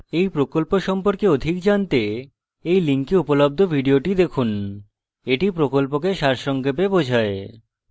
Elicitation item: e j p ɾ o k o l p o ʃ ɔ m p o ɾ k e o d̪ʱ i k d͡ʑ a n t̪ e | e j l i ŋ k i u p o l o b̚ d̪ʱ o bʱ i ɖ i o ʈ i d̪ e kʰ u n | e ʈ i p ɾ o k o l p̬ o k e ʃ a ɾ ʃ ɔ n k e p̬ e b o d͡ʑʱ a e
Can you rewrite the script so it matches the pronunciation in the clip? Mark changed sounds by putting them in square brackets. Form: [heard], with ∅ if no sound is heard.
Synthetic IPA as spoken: e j p ɾ o k o l p o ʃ ɔ m p o ɾ k e o d̪ʱ i k d͡ʑ a n t̪ e | e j l i ŋ k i u p o l o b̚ d̪ʱ o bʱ i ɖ i o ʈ i d̪ e kʰ u n | e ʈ i p ɾ o k o l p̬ o k e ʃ a ɾ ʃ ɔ [ŋ] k e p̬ e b o d͡ʑʱ a e